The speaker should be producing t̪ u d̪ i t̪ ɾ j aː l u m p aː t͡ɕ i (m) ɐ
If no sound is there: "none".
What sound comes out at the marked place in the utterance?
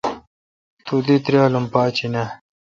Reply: n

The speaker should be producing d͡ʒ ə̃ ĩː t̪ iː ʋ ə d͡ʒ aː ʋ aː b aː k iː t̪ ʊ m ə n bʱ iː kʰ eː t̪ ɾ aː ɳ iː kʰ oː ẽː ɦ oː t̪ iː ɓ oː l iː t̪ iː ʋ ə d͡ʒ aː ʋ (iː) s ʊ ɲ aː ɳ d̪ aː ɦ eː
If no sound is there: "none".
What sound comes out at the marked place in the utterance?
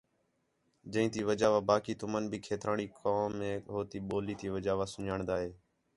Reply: aː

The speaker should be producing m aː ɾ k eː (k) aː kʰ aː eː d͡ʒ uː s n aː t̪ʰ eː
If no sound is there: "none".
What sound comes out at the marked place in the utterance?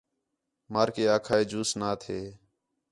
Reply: none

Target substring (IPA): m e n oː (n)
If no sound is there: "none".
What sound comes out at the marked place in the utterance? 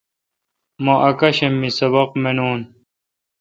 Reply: n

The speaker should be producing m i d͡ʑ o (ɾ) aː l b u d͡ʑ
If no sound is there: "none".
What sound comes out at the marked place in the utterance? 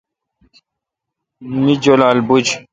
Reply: l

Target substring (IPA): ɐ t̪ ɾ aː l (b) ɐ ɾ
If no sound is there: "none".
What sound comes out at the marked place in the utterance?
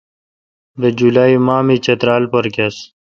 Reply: p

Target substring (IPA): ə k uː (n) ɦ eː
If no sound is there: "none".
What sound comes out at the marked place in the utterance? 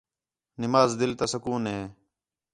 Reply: n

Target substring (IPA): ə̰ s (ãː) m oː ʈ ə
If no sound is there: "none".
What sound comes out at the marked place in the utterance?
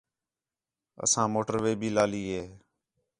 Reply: ãː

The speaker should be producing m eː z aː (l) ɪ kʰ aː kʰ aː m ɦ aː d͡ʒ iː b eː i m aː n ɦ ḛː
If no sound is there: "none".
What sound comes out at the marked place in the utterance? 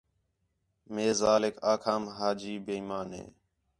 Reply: l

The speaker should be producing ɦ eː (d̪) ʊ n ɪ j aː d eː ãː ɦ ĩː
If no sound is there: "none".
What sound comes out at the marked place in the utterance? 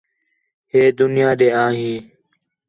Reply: d̪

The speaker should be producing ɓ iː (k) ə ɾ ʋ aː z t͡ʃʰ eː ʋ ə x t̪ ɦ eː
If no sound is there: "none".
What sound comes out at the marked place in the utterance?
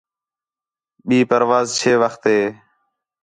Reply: p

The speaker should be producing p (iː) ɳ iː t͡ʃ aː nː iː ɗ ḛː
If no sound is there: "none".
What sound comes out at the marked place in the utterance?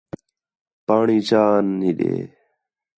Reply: aː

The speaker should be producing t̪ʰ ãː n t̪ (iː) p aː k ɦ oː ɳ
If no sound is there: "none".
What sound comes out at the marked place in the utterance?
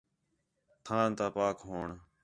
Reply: aː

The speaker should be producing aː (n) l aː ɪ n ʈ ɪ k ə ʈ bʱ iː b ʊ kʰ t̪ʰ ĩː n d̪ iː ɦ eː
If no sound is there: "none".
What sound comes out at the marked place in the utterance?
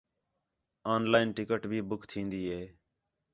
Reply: n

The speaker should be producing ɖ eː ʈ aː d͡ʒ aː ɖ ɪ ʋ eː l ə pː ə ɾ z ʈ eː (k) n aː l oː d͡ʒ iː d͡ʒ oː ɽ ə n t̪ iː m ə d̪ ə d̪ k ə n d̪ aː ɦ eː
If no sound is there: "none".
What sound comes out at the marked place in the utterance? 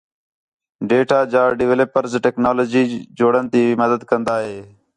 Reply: k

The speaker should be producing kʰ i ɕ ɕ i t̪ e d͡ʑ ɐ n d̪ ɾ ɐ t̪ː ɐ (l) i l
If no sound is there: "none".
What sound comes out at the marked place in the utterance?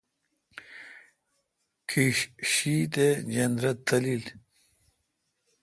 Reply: l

